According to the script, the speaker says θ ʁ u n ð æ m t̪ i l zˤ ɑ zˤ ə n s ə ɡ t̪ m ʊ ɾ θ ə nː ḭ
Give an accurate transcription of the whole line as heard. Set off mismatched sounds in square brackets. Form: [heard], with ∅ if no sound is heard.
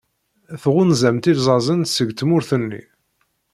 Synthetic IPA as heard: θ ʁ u n [z] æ m t̪ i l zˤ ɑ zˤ ə n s ə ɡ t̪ m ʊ ɾ θ ə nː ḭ